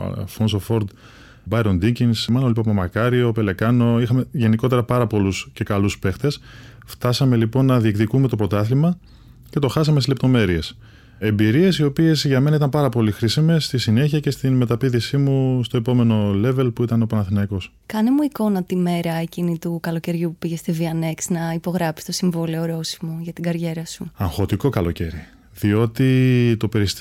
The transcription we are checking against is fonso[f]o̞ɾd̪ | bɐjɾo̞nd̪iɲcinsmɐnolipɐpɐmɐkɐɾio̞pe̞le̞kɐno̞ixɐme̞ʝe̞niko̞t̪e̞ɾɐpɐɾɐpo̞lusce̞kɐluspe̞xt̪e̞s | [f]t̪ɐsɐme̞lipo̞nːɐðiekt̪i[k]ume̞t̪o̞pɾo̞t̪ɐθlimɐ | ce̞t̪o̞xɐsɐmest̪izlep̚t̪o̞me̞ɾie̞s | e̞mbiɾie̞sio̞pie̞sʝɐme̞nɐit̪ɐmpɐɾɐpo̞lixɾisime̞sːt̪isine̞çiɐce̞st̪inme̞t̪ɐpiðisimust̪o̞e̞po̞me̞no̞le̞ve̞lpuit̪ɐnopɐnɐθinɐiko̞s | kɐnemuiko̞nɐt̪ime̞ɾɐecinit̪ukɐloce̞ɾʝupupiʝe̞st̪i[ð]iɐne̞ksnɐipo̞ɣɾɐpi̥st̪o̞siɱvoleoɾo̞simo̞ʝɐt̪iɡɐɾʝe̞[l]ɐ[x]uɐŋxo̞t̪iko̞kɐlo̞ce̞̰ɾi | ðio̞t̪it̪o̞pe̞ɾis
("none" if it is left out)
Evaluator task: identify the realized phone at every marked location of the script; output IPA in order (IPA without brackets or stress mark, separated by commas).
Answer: f, f, k, v, ɾ, s